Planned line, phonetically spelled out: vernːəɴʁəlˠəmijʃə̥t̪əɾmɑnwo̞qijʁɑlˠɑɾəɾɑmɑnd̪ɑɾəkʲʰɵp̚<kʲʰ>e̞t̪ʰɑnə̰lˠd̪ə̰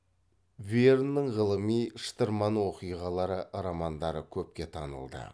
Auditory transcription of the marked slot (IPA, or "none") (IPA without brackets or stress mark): kʲ